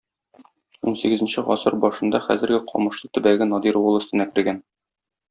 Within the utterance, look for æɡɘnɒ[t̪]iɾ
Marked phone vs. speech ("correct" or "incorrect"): incorrect